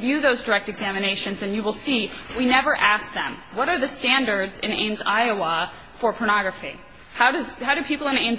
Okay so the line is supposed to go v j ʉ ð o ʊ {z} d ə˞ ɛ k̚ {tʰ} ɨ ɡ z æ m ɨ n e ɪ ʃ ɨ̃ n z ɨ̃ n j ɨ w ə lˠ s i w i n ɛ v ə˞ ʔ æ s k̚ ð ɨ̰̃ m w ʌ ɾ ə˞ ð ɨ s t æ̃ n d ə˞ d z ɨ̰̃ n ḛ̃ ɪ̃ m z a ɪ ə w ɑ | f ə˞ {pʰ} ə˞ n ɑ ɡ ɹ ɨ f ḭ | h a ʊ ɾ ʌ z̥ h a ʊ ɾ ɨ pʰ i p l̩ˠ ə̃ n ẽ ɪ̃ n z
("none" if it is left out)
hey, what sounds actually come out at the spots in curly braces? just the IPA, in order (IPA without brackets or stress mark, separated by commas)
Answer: z, t, pʰ